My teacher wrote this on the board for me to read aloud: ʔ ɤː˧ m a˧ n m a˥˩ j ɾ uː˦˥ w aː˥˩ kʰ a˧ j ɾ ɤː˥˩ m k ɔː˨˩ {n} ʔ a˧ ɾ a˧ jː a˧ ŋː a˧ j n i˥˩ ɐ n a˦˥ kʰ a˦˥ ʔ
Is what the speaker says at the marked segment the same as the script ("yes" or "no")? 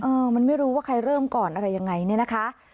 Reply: yes